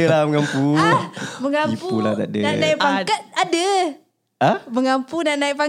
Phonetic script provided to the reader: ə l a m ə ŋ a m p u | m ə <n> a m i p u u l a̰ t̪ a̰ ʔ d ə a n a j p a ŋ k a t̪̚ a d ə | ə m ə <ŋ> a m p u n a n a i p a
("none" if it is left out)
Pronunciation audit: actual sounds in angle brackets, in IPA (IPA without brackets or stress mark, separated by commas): ŋ, ŋ